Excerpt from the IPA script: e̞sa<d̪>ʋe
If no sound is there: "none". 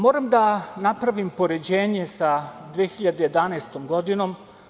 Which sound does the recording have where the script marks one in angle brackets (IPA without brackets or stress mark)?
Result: d̪